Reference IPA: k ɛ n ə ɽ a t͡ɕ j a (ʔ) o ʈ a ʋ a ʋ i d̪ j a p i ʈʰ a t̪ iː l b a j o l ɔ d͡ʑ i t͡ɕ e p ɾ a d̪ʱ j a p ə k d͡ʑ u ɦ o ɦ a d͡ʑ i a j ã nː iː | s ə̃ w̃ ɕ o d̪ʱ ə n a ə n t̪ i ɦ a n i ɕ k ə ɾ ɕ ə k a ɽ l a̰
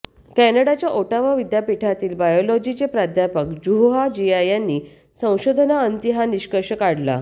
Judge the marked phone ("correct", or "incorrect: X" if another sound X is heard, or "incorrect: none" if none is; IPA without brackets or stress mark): correct